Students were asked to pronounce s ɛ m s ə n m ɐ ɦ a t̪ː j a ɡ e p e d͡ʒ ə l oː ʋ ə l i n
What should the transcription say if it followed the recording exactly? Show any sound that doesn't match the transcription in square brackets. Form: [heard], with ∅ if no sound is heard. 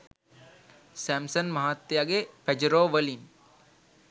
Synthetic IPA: s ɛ m s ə n m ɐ ɦ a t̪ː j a ɡ e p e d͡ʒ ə [ɾ] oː ʋ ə l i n